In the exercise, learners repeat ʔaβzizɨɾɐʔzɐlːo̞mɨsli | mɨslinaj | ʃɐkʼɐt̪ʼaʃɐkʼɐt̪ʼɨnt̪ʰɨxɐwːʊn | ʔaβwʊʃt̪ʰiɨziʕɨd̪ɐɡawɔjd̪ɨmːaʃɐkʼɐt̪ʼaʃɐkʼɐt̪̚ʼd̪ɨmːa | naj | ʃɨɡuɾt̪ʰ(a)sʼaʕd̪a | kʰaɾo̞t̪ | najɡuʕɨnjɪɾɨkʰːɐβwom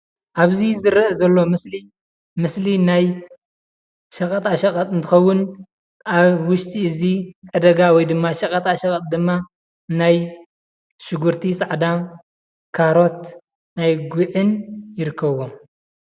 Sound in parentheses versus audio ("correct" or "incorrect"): incorrect